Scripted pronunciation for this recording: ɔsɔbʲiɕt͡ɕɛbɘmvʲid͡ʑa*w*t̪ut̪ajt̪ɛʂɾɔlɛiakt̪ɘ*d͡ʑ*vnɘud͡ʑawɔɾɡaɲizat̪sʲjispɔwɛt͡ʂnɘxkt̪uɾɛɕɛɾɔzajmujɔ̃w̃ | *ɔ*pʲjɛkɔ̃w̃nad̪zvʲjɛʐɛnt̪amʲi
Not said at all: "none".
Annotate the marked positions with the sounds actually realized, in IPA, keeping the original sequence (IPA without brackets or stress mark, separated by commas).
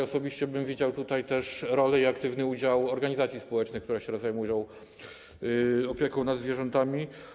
w, none, ɔ